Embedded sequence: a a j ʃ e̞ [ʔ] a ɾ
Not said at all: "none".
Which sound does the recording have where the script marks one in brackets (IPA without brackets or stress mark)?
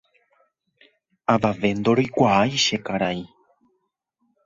k